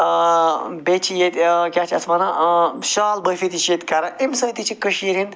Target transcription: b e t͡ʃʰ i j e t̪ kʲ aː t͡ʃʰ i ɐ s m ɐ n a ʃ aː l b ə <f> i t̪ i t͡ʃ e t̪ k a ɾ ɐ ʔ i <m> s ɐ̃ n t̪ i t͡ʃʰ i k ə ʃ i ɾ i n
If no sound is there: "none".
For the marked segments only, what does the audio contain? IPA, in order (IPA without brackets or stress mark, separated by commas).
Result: f, m